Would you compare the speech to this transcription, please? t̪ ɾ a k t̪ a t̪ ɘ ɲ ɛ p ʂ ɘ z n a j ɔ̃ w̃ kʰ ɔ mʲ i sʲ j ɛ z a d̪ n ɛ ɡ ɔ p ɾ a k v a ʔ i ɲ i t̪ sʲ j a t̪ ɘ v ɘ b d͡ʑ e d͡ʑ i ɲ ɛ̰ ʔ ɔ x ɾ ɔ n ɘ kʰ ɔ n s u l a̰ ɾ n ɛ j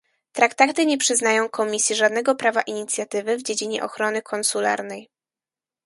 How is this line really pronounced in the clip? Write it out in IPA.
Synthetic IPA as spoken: t̪ ɾ a k t̪ a t̪ ɘ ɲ ɛ p ʂ ɘ z n a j ɔ̃ w̃ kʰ ɔ mʲ i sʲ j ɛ ʐ a d̪ n ɛ ɡ ɔ p ɾ a v a ʔ i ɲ i t̪ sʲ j a t̪ ɘ v ɘ v d͡ʑ e d͡ʑ i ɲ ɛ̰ ʔ ɔ x ɾ ɔ n ɘ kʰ ɔ n s u l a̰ ɾ n ɛ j